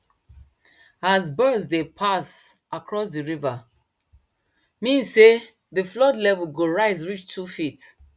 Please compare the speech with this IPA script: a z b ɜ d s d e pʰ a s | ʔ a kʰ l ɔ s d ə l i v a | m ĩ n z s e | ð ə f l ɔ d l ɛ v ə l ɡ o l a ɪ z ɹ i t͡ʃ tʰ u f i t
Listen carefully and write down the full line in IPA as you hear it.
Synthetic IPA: a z b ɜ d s d e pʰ a s | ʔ a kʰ ɹ ɔ s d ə ɹ i v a | m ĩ n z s e | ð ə f l ɔ d l ɛ v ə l ɡ o ɹ a ɪ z ɹ i t͡ʃ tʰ u f i t